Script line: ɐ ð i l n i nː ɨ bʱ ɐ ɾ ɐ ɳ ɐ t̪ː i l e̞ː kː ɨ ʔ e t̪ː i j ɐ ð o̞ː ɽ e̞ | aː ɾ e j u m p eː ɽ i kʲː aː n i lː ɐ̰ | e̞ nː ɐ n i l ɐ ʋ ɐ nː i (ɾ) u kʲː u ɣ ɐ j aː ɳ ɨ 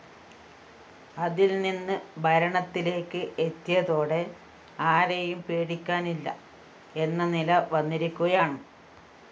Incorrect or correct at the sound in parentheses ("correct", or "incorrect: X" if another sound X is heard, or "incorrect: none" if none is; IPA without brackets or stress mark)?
correct